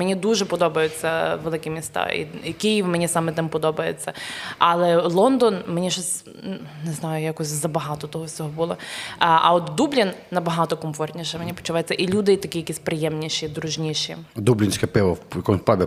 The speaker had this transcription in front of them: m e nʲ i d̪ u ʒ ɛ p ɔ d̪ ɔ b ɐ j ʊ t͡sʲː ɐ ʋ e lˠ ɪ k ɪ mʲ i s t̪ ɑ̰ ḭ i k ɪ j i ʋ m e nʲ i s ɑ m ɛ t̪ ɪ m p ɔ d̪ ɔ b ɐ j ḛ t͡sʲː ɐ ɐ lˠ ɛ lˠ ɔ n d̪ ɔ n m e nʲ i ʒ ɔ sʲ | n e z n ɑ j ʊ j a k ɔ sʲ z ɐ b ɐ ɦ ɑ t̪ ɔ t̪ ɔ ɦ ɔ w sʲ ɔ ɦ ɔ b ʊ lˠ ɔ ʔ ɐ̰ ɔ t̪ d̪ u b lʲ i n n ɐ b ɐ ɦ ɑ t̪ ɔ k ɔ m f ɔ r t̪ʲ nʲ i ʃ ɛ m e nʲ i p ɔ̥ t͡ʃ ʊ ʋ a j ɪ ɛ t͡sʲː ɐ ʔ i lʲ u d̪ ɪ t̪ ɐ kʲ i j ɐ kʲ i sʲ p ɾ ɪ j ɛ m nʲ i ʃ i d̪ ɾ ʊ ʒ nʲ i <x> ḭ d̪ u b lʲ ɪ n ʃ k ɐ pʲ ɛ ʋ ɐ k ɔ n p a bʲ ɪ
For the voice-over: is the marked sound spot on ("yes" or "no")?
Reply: no